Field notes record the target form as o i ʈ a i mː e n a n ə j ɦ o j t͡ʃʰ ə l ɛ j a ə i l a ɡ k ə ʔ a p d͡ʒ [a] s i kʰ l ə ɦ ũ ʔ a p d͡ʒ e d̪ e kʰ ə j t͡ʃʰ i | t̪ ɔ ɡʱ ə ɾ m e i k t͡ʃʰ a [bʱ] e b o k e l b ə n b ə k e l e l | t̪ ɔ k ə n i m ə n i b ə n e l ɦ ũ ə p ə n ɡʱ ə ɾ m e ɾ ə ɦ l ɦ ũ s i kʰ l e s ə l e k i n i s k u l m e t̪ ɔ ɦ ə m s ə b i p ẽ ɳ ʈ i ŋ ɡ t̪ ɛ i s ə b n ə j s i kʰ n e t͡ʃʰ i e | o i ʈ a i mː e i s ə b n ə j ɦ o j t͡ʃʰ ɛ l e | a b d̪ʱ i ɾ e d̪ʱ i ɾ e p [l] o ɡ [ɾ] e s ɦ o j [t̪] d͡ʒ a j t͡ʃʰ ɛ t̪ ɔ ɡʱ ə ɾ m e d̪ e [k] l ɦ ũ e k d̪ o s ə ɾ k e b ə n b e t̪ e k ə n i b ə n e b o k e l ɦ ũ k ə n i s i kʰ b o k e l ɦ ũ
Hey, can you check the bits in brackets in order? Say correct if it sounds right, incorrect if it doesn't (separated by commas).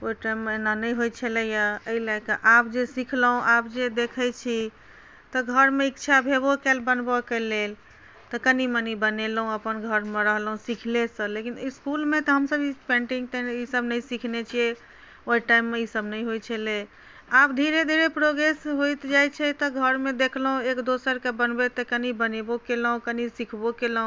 incorrect, correct, incorrect, correct, correct, incorrect